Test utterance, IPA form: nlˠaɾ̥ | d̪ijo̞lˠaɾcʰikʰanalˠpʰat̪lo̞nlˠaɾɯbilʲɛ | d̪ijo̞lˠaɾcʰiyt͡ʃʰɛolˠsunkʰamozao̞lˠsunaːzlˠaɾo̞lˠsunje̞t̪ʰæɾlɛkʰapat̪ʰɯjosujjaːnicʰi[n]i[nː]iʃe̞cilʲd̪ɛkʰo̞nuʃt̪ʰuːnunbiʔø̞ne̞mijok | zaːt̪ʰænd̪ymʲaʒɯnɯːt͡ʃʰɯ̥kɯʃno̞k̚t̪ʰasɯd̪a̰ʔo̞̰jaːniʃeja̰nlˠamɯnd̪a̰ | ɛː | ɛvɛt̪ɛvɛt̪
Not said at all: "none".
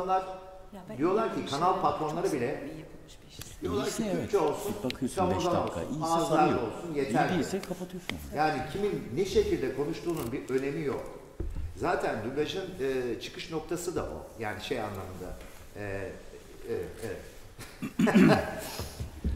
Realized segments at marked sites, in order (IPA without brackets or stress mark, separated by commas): m, nː